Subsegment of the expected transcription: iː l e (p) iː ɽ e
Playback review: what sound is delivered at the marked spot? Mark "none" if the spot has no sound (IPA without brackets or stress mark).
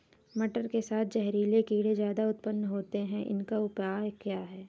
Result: k